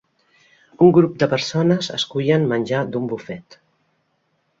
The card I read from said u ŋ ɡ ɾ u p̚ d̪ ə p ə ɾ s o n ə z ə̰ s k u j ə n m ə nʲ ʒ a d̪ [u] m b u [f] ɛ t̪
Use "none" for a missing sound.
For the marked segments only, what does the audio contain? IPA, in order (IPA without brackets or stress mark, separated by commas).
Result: u, f